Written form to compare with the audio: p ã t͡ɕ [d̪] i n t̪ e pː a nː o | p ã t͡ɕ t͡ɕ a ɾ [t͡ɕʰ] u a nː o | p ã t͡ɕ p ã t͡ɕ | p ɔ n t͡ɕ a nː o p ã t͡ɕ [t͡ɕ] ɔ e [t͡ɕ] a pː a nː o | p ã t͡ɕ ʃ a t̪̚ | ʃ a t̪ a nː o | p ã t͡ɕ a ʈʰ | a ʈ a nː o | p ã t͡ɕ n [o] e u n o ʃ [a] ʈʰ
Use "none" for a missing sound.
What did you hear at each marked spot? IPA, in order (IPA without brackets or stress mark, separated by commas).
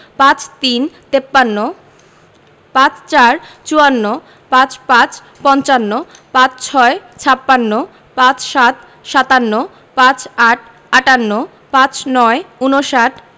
t̪, t͡ɕ, t͡ɕʰ, t͡ɕʰ, ɔ, a